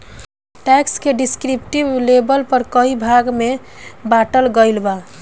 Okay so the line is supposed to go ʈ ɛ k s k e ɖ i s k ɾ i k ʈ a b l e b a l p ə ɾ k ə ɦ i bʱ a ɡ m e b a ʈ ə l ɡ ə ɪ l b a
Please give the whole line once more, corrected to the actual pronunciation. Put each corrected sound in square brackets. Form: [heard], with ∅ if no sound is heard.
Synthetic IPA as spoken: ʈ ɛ k s k e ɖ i s k ɾ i [p] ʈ [i] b l e b [ə] l p ə ɾ k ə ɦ i bʱ a ɡ m e b a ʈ ə l ɡ ə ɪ l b a